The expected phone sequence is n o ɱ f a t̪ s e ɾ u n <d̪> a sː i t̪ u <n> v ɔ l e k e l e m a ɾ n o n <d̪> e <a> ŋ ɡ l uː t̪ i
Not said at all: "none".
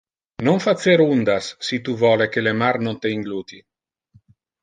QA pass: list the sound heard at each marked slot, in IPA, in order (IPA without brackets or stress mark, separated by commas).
d̪, none, t̪, i